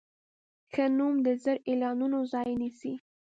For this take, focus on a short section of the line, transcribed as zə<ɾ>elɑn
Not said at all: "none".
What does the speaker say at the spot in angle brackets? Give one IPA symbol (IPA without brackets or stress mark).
ɾ